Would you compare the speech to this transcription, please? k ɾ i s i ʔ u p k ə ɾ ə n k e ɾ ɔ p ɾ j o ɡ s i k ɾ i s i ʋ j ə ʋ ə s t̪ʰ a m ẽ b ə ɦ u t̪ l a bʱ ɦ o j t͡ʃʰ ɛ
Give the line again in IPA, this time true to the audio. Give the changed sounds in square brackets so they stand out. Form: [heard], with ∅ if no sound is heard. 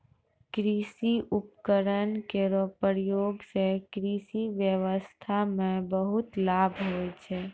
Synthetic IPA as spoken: k ɾ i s i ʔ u p k ə ɾ ə n k e ɾ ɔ p ɾ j o ɡ s [e] k ɾ i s i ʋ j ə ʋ ə s t̪ʰ a m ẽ b ə ɦ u t̪ l a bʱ ɦ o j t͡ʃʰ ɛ